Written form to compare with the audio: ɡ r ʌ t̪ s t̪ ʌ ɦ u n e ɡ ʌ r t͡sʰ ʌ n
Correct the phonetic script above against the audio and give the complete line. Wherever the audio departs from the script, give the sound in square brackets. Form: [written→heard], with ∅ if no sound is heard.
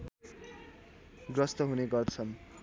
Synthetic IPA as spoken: ɡ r ʌ [t̪→∅] s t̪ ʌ ɦ u n e ɡ ʌ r t͡sʰ ʌ n